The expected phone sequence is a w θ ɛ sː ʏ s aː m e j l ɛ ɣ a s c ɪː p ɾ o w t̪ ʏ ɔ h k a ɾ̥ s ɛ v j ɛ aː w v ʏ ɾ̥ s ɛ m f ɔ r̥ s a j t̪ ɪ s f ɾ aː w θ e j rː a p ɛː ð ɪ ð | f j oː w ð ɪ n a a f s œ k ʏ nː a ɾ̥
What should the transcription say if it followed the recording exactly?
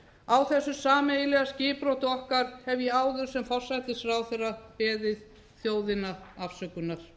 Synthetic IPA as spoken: a w θ ɛ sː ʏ s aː m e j l ɛ ɣ a s c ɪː p ɾ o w t̪ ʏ ɔ h k a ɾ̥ h ɛ v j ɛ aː w ð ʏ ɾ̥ s ɛ m f ɔ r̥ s a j t̪ ɪ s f ɾ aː w θ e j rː a p ɛː ð ɪ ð | θ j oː w ð ɪ n a a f s œ k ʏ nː a ɾ̥